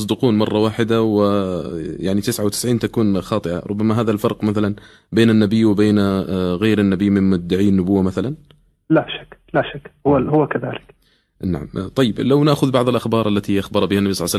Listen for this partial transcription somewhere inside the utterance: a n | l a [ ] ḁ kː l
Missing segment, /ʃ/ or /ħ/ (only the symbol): ʃ